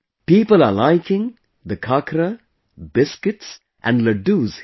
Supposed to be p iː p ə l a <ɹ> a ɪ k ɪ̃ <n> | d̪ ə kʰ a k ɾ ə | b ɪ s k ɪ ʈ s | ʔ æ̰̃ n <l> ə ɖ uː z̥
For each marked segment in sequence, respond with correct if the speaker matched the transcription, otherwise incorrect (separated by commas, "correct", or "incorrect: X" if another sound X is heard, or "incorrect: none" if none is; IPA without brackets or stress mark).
incorrect: l, incorrect: ŋ, correct